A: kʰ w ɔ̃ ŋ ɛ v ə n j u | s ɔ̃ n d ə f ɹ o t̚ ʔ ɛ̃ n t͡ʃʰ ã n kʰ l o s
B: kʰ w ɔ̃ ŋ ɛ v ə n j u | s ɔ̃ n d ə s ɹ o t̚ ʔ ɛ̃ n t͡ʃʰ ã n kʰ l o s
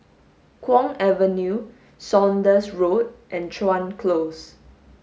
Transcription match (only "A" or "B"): B